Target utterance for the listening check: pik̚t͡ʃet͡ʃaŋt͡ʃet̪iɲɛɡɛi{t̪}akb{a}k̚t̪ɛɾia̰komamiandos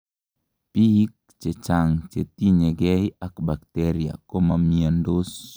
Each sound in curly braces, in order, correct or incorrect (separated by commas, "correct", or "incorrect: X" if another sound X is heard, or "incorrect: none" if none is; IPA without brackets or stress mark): incorrect: none, correct